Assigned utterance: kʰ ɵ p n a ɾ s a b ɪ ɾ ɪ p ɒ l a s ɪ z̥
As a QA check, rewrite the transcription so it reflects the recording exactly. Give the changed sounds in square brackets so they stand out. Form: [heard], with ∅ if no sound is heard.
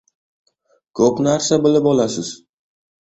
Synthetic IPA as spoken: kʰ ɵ p n a ɾ s a b ɪ [l] ɪ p ɒ l a s ɪ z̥